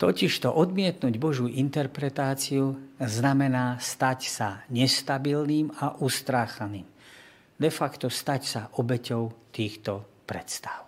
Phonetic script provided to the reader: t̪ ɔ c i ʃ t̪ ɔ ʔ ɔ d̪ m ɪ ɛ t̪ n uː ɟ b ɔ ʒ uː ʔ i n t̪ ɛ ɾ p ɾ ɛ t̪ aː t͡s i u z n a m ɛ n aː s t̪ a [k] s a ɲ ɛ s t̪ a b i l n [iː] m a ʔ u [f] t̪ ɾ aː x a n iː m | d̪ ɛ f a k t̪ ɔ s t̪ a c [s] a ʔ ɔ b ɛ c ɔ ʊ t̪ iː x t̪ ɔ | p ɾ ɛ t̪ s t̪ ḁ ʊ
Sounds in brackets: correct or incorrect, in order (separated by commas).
incorrect, correct, incorrect, correct